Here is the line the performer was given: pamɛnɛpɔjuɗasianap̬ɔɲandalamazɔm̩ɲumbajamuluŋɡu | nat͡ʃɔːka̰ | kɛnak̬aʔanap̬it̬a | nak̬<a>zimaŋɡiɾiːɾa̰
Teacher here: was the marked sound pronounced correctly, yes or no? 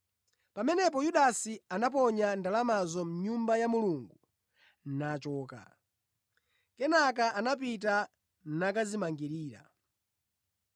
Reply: yes